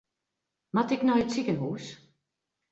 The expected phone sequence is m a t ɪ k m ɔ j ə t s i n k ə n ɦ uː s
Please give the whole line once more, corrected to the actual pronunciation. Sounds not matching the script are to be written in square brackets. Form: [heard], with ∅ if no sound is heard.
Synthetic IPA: m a t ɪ k [n] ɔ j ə t s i [∅] k ə n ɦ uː s